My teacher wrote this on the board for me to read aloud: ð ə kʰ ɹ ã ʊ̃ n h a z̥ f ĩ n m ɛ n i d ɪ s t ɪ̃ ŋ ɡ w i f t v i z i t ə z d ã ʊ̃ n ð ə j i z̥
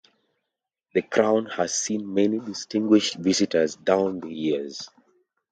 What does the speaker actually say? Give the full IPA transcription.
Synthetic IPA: ð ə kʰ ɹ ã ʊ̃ n h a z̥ s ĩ n m ɛ n i d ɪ s t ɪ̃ ŋ ɡ w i ʃ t v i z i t ə z d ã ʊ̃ n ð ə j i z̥